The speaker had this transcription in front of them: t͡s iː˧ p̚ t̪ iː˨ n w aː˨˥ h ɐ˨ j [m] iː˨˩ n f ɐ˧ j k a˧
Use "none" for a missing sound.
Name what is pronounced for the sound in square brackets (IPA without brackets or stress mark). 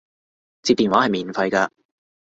m